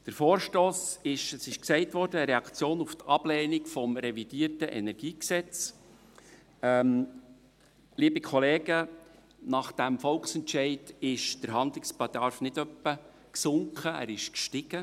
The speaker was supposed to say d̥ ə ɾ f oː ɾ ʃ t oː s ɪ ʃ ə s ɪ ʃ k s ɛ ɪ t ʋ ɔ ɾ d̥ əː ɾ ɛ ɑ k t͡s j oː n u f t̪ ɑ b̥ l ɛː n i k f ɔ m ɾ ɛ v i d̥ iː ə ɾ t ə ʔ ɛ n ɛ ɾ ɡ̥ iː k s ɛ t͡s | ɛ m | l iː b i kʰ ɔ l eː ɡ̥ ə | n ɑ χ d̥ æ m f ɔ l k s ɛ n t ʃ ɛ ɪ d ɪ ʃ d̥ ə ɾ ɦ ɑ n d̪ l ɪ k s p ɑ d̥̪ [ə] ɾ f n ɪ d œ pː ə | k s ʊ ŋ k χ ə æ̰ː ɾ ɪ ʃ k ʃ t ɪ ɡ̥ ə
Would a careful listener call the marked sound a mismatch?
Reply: yes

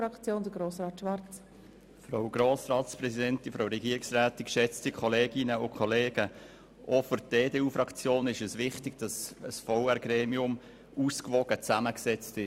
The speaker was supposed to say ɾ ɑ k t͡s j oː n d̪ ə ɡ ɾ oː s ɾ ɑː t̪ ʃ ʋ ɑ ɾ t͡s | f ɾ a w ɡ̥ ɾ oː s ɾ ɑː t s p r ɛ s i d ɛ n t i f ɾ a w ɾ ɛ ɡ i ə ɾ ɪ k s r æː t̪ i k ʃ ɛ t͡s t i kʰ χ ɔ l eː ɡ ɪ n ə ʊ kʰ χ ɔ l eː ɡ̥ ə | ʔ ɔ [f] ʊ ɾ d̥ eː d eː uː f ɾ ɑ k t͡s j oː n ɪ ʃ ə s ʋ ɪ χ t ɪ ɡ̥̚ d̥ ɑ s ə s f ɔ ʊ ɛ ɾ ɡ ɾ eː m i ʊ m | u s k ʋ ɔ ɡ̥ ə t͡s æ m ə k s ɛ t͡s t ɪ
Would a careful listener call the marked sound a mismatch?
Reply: no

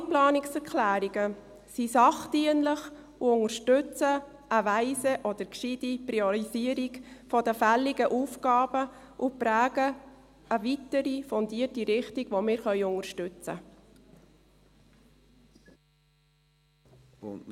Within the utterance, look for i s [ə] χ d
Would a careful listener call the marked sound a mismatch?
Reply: yes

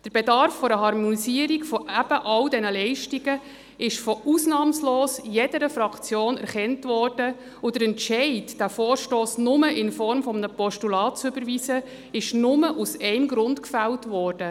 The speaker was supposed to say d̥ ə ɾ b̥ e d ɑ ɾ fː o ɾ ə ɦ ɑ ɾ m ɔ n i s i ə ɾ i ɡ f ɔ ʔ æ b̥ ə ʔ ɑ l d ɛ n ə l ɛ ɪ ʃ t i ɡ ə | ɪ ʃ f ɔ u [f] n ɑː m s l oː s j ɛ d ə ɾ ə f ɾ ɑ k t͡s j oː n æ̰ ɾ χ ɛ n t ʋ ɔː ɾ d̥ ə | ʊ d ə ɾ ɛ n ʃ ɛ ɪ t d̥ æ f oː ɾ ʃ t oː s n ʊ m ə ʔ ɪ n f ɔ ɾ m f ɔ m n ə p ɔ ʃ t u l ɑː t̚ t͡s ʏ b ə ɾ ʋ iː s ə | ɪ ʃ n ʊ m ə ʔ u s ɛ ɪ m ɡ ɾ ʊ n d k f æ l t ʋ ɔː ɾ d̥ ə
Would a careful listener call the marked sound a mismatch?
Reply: yes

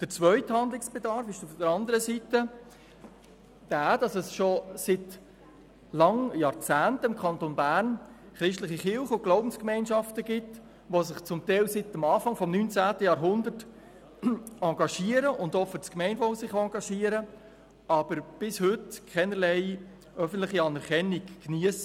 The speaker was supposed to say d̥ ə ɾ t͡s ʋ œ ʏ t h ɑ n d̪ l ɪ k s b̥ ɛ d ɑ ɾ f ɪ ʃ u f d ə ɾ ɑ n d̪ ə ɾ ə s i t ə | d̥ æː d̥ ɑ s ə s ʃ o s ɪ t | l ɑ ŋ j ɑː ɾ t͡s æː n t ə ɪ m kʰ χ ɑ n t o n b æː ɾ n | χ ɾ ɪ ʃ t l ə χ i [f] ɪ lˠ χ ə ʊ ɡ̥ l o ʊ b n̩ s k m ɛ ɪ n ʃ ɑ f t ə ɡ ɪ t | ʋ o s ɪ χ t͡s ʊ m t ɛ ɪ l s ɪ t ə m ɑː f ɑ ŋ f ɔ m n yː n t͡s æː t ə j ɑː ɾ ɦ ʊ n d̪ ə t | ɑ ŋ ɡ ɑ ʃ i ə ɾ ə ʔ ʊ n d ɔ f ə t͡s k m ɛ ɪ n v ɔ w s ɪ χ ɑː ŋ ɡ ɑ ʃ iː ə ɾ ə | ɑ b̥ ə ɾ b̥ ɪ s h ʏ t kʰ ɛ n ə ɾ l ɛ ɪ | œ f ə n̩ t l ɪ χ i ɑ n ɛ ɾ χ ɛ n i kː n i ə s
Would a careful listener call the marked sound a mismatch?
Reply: yes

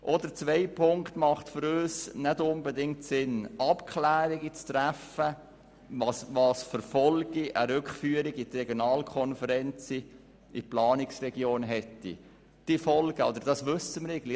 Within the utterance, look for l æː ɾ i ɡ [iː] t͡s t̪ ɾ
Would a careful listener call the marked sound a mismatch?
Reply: yes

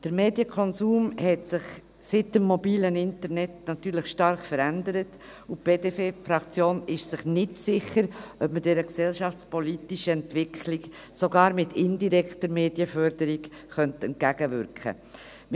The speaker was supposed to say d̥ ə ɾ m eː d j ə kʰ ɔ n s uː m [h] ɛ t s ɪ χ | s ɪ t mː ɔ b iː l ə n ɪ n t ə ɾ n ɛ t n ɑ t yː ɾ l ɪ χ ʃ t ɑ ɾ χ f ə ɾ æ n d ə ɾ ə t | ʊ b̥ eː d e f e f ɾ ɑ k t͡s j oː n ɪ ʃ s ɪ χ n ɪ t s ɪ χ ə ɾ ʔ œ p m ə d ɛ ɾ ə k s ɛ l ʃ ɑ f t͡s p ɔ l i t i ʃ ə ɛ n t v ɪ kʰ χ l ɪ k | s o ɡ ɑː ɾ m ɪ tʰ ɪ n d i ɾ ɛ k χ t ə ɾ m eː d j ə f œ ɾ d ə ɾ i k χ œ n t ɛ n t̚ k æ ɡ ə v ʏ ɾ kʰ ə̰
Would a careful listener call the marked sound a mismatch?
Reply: no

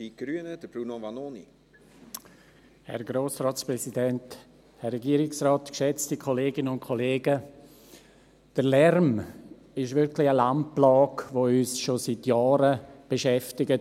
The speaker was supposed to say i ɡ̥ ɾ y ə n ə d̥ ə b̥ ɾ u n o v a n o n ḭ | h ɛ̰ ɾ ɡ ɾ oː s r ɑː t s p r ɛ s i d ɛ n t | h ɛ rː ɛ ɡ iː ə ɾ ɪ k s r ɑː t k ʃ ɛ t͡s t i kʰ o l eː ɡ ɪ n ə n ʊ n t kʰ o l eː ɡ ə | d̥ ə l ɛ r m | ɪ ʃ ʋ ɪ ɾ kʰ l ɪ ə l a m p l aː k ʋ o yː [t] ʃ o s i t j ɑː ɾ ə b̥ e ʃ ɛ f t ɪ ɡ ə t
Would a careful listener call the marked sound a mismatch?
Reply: yes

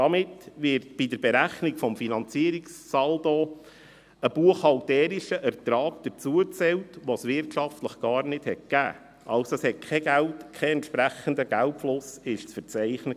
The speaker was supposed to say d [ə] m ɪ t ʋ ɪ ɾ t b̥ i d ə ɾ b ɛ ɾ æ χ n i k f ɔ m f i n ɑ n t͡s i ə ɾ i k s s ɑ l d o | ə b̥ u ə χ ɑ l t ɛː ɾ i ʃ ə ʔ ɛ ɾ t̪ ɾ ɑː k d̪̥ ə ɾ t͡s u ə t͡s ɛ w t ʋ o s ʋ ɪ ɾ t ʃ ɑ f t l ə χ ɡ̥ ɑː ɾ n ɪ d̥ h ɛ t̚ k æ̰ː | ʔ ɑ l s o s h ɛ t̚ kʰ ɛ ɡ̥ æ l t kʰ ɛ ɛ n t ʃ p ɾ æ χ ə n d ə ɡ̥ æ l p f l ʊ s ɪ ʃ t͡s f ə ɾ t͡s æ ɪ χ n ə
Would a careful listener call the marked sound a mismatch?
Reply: yes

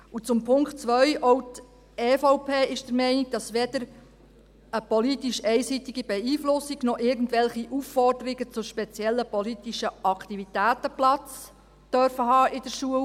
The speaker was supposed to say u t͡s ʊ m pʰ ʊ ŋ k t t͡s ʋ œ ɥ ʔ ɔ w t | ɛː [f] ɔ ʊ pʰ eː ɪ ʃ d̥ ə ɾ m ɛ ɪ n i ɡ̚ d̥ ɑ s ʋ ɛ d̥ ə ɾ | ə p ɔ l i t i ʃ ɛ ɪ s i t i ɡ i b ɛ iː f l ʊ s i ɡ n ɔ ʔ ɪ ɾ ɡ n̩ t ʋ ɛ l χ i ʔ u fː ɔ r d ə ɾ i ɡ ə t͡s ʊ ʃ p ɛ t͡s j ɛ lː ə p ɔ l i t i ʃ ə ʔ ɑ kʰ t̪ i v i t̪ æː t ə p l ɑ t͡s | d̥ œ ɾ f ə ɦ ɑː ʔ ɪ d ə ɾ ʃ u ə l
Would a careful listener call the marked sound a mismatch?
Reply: no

